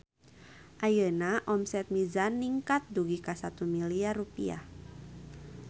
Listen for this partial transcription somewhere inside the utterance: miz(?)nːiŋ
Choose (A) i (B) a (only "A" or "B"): B